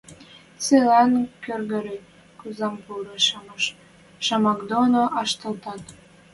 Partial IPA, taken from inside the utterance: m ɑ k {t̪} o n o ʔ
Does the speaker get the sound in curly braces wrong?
yes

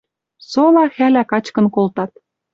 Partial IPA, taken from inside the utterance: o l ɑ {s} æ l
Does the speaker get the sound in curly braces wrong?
yes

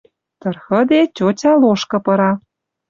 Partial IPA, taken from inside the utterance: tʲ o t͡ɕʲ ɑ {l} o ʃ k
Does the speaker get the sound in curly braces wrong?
no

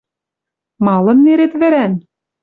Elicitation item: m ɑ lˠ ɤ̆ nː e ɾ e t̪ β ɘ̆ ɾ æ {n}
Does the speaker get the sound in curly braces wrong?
no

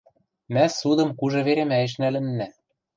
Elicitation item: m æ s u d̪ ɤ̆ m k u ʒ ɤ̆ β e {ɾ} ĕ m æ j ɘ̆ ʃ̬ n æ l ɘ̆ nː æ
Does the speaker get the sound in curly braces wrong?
no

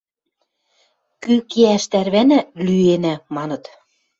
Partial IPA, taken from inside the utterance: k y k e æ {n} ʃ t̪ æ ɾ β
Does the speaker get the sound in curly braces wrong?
yes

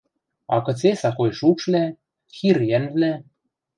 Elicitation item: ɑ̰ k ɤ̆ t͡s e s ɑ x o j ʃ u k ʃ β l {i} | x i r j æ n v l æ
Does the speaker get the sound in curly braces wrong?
yes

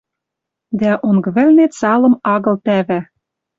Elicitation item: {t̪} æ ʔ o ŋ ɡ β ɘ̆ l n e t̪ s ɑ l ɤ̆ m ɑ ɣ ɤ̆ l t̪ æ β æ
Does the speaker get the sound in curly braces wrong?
yes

